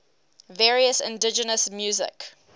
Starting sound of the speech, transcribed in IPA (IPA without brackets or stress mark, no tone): v